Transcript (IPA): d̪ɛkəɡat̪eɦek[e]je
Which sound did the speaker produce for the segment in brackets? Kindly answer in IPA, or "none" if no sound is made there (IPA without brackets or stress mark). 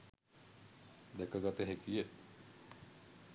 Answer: i